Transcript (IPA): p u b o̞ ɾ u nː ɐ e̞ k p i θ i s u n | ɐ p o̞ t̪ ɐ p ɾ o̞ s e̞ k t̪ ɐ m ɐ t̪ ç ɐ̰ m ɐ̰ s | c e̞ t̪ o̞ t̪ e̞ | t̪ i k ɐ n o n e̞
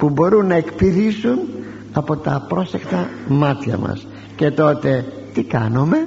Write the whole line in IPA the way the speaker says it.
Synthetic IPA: p u b o̞ ɾ u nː ɐ e̞ k p i ð i s u n | ɐ p o̞ t̪ ɐ p ɾ o̞ s e̞ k t̪ ɐ m ɐ t̪ ç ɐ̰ m ɐ̰ s | c e̞ t̪ o̞ t̪ e̞ | t̪ i k ɐ n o m e̞